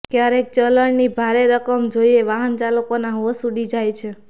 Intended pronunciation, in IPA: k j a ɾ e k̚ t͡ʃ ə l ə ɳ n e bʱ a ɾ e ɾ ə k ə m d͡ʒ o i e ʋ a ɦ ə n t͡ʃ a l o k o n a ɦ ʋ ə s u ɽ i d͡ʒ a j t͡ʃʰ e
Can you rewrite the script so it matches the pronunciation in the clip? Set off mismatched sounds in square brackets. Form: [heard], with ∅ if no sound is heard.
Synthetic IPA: k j a ɾ e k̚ t͡ʃ ə l ə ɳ n [i] bʱ a ɾ e ɾ ə k ə m d͡ʒ o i e ʋ a ɦ ə n t͡ʃ a l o k o n a ɦ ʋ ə s u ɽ i d͡ʒ a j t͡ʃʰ e